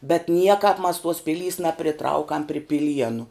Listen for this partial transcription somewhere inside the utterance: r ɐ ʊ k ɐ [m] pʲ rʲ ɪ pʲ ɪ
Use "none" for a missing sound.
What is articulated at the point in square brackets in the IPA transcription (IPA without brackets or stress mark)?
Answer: m